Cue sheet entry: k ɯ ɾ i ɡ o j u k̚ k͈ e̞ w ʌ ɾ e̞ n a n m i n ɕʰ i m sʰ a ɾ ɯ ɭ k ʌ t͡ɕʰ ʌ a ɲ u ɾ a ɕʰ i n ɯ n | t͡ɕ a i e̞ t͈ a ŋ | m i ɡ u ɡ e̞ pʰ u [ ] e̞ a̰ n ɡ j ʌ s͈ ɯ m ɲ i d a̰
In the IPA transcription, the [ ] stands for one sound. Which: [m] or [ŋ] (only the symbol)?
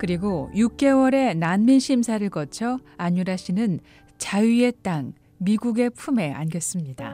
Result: m